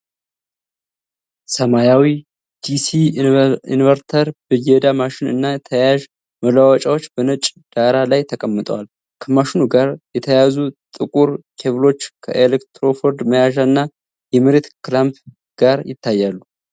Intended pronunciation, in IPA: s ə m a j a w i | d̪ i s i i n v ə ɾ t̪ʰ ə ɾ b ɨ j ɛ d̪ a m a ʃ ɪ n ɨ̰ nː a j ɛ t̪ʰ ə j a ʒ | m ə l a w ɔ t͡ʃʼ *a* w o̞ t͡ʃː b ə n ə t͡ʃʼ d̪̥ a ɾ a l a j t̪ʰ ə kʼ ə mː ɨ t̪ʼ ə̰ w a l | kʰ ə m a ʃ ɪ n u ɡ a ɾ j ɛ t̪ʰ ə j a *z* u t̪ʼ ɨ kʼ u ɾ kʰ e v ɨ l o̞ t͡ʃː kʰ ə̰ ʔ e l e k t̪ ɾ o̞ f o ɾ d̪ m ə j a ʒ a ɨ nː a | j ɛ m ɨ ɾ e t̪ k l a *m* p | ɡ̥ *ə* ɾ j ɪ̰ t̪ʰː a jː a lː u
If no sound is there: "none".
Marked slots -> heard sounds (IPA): a, z, m, a

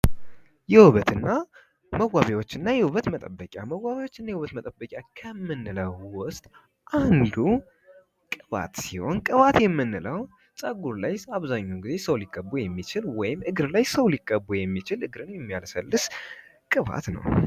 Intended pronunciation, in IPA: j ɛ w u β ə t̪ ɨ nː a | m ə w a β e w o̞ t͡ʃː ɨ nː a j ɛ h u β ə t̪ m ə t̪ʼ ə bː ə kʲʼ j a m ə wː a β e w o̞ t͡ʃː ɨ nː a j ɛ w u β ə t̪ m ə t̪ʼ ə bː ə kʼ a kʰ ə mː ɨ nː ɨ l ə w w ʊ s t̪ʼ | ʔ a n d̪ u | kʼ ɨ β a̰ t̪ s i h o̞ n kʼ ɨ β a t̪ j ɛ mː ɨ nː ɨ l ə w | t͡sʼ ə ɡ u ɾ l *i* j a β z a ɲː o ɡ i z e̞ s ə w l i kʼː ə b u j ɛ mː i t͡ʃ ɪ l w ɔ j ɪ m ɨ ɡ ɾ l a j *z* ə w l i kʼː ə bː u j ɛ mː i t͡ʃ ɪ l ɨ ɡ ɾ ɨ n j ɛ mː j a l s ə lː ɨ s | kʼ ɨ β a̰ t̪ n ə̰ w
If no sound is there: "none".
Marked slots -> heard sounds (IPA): a, s

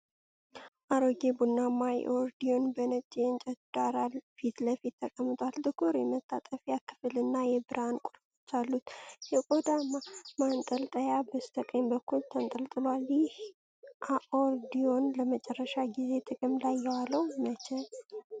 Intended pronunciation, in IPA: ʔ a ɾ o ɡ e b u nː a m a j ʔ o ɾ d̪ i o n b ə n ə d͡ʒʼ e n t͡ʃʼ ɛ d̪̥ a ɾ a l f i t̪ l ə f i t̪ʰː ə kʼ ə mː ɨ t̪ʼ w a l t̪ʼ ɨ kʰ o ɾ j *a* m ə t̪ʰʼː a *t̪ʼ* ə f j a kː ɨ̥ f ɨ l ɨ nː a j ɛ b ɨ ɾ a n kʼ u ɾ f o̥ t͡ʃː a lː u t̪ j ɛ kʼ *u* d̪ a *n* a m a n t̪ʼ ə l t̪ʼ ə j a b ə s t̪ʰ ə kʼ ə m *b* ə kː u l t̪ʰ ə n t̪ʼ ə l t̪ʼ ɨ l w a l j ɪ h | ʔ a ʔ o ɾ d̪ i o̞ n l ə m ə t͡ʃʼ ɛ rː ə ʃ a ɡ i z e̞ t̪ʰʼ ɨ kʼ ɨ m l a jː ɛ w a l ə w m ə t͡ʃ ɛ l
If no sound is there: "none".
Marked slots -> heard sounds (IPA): ɛ, t̪ʼ, o, m, b

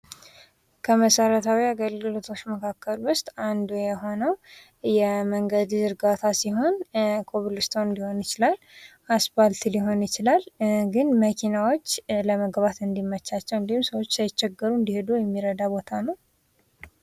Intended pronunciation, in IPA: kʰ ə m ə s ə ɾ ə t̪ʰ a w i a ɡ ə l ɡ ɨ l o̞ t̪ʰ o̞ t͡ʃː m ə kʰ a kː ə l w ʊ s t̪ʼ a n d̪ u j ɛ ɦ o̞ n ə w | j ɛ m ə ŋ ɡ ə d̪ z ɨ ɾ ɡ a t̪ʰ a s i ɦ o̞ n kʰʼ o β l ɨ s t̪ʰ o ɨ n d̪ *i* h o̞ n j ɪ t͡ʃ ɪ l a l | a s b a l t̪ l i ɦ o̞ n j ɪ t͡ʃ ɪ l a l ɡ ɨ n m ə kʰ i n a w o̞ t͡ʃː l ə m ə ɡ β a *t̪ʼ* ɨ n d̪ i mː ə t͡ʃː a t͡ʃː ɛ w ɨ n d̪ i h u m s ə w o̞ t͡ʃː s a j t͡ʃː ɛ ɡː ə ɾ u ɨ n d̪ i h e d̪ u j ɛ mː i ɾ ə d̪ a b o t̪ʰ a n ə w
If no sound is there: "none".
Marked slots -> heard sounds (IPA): i, t̪

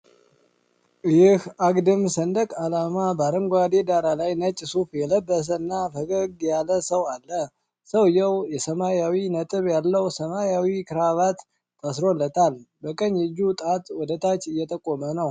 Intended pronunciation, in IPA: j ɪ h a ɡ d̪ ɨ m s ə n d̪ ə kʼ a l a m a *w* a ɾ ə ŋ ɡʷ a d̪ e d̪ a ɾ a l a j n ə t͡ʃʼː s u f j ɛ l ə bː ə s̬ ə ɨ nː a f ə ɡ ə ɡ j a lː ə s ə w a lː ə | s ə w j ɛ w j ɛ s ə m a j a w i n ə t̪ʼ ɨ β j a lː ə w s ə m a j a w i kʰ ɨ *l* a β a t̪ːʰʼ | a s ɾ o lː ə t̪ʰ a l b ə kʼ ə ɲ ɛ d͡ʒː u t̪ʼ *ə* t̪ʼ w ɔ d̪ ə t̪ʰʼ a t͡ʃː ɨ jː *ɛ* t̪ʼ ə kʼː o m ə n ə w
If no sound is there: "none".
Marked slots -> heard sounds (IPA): b, ɾ, a, ɛ

